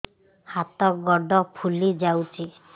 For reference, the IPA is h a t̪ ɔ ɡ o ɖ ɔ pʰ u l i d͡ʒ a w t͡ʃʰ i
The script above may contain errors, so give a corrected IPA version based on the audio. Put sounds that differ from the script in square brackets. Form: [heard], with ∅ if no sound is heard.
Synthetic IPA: h a t̪ ɔ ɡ [ɔ] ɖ ɔ pʰ u l i d͡ʒ a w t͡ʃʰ i